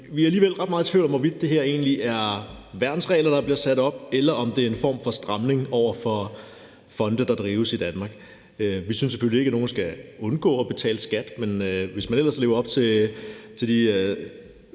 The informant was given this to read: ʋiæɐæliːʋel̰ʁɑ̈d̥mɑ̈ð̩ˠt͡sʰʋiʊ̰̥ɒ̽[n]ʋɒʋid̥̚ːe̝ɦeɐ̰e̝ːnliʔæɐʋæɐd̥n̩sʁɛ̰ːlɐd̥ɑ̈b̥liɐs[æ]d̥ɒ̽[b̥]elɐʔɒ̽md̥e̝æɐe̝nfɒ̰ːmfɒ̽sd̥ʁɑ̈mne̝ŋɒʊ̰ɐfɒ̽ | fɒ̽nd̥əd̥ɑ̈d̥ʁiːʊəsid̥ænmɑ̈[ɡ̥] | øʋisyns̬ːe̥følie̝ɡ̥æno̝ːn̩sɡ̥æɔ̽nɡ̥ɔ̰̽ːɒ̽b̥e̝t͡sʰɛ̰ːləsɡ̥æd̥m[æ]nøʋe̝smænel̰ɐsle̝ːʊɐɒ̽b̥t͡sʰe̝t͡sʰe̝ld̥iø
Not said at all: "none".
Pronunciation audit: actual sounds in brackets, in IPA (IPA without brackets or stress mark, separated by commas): m, æ, b̥, ɡ̥, e